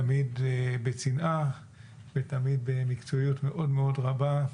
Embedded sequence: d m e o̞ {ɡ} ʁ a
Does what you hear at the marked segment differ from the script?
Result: yes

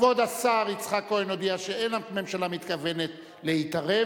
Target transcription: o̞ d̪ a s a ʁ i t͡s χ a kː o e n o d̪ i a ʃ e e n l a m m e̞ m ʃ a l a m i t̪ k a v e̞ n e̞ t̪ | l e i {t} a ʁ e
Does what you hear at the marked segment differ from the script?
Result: no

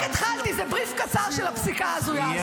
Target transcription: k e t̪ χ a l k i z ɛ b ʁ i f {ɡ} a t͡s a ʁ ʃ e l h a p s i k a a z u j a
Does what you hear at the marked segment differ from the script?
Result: yes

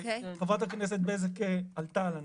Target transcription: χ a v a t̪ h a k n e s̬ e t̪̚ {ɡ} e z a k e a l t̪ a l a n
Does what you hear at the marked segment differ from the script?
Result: yes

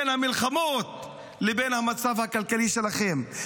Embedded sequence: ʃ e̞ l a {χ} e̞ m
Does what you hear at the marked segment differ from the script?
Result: no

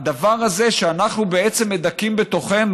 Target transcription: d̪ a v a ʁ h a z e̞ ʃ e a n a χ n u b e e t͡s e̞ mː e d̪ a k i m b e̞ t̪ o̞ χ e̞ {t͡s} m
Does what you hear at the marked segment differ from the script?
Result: yes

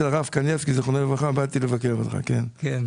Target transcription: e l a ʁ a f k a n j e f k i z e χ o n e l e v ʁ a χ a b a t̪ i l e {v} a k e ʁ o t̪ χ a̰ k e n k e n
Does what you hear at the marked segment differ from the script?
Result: no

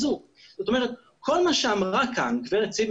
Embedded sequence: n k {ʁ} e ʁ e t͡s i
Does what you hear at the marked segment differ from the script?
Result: yes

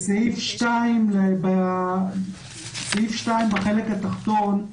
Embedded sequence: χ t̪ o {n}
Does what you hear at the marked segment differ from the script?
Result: no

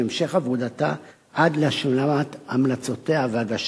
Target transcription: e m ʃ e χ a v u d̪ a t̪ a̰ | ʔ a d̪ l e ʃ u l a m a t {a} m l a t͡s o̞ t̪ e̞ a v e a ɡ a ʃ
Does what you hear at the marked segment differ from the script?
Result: no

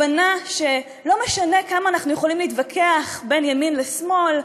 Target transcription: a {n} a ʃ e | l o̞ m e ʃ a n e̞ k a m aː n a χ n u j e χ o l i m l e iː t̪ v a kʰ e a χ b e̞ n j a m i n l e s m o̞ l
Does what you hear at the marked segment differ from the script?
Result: no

